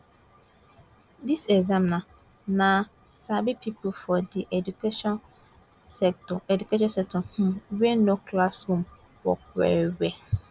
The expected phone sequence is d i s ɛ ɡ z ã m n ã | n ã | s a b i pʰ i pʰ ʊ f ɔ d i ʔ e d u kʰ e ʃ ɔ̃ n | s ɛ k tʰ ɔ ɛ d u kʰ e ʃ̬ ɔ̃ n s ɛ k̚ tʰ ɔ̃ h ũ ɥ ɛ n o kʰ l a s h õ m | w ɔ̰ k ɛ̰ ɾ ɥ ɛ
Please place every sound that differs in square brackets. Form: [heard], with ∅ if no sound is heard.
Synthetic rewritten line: d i s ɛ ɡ z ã m n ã | n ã | s a b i pʰ i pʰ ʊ f ɔ d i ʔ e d u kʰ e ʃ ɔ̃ n | s ɛ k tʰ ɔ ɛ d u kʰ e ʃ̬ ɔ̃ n s ɛ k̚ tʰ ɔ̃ h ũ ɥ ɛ n o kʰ l a s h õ m | w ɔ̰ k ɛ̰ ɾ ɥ ɛ

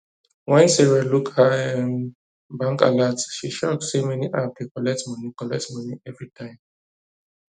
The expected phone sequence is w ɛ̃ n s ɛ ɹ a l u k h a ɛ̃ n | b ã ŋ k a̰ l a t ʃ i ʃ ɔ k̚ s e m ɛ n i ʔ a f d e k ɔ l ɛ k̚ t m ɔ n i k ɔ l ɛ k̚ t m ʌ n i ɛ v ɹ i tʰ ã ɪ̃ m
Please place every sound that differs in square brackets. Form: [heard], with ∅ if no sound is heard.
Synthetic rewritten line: w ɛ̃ n s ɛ ɹ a l u k h a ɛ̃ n | b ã ŋ k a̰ l a t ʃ i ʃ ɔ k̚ s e m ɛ n i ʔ a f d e k ɔ l ɛ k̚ t m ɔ n i k ɔ l ɛ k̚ t m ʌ n i ɛ v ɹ i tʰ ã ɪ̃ m

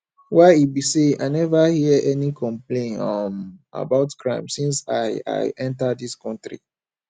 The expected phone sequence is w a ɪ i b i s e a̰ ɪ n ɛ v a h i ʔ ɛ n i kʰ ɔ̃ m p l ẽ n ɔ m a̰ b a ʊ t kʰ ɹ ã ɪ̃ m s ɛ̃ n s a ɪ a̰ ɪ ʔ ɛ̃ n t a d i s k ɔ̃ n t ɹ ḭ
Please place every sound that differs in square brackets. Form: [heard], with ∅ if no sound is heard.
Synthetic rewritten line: w a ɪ i b i s e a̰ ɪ n ɛ v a h i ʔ ɛ n i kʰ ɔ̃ m p l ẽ n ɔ m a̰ b a ʊ t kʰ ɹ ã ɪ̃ m s [ĩ] n s a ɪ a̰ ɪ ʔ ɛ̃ n t a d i s k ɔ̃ n t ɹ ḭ

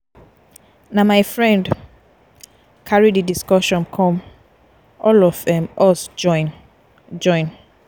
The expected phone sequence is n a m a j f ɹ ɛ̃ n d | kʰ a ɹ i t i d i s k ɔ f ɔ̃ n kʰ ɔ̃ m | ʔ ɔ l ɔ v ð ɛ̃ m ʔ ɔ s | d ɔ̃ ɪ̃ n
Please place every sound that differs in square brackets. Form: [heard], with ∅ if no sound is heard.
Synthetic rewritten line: n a m a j f ɹ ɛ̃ n d | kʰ a ɹ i [d] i d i s k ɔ [ʃ] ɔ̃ n kʰ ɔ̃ m | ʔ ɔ l ɔ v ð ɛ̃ m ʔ ɔ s | [d͡ʒ] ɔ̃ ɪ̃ n

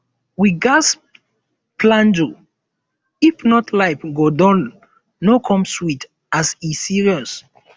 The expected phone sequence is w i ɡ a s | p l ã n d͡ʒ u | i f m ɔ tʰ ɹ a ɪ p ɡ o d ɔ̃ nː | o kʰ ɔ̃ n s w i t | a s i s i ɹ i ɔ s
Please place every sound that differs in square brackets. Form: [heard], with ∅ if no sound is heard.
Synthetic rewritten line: w i ɡ a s | p l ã n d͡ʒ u | i f [n] ɔ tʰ [l] a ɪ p ɡ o d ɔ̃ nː | o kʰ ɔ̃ [m] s w i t | a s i s i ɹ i ɔ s

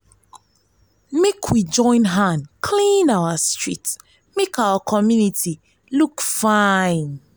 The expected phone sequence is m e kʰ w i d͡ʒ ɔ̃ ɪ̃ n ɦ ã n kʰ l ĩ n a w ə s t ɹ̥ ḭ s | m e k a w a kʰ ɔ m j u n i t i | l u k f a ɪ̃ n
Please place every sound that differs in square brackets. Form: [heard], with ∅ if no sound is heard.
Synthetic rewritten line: m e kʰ w i d͡ʒ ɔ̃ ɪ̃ n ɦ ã n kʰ l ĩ n a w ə s t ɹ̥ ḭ [t] | m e k a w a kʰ ɔ m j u n i t i | l u k f a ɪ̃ n

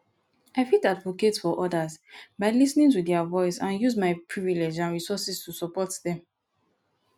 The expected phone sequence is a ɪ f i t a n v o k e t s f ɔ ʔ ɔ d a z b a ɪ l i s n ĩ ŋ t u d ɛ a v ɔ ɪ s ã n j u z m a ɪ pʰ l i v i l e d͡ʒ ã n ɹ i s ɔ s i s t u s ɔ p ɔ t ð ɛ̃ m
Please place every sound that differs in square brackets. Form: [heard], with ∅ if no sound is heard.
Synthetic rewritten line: a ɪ f i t a [d] v o k e t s f ɔ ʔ ɔ d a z b a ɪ l i s n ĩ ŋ t u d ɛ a v ɔ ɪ s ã n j u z m a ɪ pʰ [ɹ] i v i l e d͡ʒ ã n ɹ i s ɔ s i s t u s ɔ p ɔ t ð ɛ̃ m

